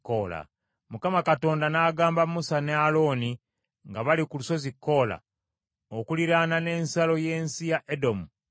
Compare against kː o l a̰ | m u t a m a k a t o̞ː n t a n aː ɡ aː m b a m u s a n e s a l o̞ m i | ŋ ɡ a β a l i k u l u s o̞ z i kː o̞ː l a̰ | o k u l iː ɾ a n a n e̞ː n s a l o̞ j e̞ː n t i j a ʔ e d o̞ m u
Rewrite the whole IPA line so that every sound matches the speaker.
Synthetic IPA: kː o l a̰ | m u k a m a k a t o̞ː n d a n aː ɡ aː m b a m u s a n e a l o̞ n i | ŋ ɡ a β a l i k u l u s o̞ z i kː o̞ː l a̰ | o k u l i ɾ a n a n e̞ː n s a l o̞ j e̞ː n s i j a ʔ e d o̞ m u